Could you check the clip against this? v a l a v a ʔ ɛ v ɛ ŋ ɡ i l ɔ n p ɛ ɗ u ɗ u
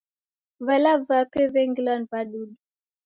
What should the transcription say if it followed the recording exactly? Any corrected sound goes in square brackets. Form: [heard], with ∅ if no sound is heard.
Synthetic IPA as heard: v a l a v a [p] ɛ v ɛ ŋ ɡ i l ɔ n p [a] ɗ u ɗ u